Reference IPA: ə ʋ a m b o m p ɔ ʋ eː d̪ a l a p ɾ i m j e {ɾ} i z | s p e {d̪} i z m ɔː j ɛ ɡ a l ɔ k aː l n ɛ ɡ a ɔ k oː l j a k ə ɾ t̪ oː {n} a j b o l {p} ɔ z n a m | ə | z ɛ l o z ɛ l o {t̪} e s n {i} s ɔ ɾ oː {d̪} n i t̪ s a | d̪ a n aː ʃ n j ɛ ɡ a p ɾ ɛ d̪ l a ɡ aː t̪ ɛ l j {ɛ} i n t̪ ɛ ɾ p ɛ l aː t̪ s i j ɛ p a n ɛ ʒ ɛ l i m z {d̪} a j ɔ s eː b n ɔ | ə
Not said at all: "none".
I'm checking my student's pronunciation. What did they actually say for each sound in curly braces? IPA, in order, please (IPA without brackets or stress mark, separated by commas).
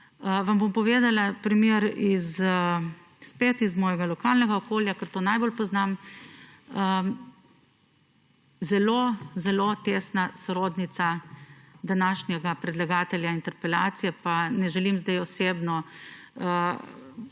ɾ, t̪, n, p, t̪, a, d̪, a, d̪